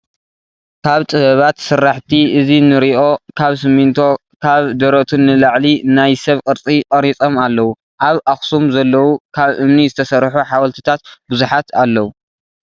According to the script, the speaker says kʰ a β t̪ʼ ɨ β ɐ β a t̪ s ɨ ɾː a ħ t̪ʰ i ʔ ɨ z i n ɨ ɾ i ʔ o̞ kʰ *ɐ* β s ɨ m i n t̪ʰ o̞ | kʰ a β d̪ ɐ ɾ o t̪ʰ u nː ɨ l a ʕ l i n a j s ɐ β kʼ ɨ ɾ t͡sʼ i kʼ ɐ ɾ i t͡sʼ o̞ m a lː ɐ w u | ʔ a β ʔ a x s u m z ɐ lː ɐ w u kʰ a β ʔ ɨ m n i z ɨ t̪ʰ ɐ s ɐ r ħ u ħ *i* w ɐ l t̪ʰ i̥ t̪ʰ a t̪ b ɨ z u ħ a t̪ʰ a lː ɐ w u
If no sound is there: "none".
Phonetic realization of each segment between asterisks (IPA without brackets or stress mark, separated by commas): a, a